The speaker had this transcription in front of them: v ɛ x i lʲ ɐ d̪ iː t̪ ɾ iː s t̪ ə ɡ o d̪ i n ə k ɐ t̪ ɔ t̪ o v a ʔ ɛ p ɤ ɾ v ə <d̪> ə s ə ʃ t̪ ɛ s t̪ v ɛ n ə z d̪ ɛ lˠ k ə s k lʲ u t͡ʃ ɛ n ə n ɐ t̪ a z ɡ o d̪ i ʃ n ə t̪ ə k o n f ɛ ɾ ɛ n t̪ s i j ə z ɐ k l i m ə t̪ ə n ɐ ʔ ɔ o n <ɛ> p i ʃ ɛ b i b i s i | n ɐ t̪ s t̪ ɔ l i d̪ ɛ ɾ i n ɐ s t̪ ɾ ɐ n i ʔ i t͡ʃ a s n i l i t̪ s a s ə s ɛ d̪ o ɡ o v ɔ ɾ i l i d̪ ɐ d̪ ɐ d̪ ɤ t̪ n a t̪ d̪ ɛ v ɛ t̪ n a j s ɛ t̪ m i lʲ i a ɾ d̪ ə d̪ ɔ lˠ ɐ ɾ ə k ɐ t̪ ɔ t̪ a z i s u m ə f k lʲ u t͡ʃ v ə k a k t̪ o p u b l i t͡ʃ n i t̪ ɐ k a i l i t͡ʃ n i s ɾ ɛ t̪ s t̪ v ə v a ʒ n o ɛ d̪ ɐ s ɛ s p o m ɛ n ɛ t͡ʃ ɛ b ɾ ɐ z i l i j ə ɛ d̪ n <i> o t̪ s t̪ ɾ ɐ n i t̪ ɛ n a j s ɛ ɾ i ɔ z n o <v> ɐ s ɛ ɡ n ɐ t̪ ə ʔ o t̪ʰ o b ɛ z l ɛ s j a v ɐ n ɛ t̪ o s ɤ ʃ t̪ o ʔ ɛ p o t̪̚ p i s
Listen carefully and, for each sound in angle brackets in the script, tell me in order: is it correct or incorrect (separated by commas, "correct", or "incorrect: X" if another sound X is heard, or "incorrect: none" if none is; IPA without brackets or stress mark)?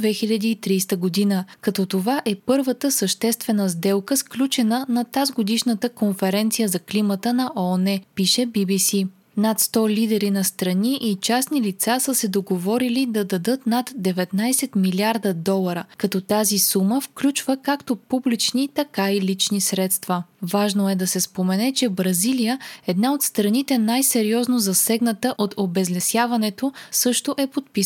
incorrect: t̪, correct, incorrect: a, incorrect: z